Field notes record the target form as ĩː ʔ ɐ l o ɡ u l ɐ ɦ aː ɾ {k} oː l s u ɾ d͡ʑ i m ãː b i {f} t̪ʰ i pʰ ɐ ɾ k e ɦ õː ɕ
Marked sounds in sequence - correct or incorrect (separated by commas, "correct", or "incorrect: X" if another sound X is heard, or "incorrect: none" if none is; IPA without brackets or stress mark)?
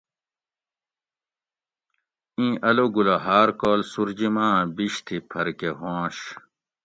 correct, incorrect: ɕ